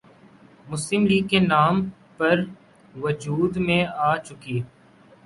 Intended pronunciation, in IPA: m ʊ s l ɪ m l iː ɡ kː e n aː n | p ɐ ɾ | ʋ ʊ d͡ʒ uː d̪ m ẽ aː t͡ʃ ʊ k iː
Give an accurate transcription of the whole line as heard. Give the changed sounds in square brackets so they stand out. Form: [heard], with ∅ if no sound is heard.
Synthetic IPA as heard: m ʊ s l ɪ m l iː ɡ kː e n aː [m] | p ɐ ɾ | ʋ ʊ d͡ʒ uː d̪ m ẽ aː t͡ʃ ʊ k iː